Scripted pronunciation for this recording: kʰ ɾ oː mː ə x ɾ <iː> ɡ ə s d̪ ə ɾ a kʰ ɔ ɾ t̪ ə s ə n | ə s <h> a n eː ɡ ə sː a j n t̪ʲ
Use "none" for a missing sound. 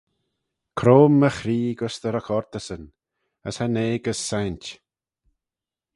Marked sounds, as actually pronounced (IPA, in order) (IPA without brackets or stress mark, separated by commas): iː, h